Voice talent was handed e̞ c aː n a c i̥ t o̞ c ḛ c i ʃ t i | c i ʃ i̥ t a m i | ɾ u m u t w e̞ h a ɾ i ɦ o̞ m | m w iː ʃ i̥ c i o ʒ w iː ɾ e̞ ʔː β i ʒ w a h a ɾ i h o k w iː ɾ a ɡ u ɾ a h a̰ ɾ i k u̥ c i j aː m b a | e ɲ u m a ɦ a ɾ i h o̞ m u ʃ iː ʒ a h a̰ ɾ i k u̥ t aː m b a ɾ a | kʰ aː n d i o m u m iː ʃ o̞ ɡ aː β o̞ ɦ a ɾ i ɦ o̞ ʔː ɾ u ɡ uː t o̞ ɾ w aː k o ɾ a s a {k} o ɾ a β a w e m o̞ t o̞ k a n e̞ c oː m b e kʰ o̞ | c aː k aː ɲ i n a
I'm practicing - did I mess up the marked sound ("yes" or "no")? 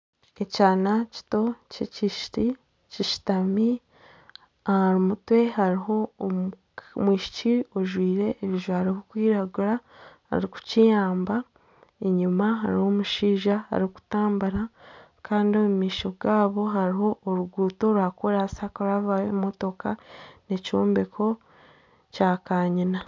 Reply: no